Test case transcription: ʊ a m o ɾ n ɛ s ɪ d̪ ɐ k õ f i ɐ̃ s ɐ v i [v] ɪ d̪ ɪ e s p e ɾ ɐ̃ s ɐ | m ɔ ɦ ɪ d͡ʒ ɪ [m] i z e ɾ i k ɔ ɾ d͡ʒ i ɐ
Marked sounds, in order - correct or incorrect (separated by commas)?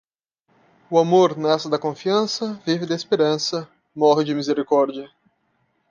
correct, correct